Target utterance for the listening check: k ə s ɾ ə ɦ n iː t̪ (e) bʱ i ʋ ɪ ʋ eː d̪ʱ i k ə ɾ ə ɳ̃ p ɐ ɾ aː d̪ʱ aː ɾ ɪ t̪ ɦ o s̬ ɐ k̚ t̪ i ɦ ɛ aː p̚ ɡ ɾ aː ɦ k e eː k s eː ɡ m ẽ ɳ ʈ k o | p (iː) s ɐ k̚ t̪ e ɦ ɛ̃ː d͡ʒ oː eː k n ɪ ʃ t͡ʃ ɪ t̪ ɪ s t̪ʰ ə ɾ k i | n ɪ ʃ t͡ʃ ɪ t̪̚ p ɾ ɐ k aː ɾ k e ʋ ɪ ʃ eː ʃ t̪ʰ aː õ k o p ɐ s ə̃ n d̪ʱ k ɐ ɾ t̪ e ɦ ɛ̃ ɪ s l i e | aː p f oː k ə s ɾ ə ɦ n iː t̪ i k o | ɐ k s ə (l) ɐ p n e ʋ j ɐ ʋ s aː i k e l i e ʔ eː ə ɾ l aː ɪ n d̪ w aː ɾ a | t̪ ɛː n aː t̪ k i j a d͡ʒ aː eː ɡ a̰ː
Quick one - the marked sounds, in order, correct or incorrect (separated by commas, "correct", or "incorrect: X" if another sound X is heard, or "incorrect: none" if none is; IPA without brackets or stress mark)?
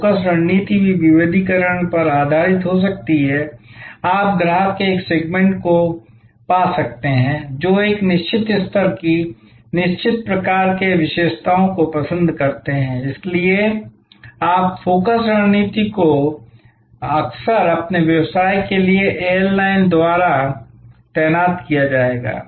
incorrect: i, incorrect: aː, incorrect: ɾ